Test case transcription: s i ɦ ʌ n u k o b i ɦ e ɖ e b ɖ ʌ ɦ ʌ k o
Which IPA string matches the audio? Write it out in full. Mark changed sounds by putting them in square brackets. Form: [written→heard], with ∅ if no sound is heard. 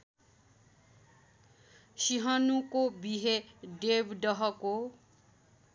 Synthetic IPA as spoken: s i ɦ ʌ n u k o b i ɦ e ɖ e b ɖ ʌ ɦ ʌ k o

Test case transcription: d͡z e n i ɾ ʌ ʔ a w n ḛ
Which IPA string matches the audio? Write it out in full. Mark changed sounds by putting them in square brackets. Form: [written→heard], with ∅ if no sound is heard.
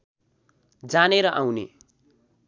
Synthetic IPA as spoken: d͡z [e→a] n [i→e] ɾ ʌ ʔ a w n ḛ

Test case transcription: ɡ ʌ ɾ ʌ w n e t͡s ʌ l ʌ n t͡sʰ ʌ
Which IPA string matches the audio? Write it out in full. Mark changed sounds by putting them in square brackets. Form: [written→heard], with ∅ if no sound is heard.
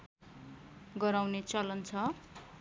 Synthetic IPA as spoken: ɡ ʌ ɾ [ʌ→a] w n e t͡s ʌ l ʌ n t͡sʰ ʌ

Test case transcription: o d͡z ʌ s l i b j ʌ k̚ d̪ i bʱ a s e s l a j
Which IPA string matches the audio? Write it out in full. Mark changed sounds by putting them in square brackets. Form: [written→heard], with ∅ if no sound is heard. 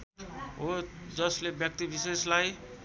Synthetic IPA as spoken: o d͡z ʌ s l [i→e] b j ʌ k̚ [d̪→t̪] i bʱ [a→i] s e s l a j

